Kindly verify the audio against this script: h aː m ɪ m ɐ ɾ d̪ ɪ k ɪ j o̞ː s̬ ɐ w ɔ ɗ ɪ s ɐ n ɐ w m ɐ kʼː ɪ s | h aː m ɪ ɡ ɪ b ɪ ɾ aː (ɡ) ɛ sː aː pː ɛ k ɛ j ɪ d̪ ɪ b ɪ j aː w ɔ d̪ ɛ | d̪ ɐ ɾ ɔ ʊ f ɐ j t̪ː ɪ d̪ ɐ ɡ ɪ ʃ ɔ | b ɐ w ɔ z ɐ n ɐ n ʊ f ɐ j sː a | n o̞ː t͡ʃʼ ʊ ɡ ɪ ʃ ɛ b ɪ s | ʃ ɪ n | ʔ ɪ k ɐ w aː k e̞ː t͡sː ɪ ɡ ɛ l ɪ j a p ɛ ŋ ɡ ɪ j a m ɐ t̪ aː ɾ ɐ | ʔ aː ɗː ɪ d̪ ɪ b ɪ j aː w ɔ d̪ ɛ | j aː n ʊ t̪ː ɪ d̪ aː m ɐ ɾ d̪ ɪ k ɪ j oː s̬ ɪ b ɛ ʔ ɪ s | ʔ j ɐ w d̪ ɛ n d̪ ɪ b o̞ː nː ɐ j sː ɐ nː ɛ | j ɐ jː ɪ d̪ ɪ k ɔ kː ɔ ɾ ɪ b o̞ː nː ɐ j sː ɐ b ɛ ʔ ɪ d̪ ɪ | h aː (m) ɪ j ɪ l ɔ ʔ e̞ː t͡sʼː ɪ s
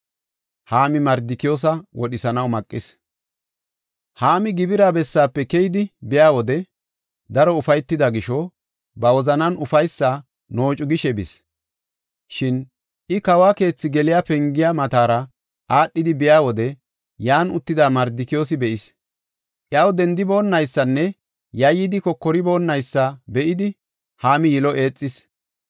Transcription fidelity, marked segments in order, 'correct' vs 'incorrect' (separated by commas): incorrect, correct